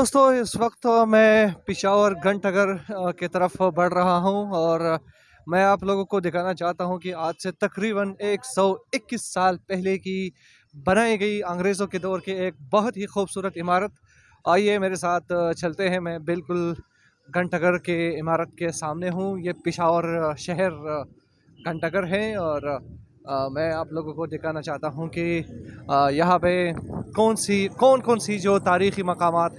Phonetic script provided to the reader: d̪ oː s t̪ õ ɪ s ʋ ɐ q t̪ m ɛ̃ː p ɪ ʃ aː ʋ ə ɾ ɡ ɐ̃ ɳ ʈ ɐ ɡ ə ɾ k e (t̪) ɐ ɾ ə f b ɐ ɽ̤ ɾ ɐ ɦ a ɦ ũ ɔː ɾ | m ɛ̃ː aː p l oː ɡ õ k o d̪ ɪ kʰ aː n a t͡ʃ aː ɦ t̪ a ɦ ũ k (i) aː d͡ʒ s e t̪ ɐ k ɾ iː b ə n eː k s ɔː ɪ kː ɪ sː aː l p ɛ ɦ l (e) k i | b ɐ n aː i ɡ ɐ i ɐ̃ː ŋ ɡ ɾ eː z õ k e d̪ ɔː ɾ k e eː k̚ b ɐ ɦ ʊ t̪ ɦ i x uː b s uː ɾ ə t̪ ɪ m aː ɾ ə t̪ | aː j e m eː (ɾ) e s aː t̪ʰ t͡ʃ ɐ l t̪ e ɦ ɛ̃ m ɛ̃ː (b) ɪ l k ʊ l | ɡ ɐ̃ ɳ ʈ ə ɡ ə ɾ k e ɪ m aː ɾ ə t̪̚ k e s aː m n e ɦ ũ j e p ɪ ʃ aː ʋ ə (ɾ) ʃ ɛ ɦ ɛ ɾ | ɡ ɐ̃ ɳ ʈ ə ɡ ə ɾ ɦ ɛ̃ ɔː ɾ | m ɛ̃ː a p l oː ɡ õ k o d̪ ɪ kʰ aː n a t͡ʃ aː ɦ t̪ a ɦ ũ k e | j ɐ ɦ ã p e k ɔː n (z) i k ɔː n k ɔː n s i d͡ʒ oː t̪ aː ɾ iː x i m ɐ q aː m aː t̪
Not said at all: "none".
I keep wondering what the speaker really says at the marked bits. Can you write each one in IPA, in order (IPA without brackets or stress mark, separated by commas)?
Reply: t̪, i, e, ɾ, b, ɾ, s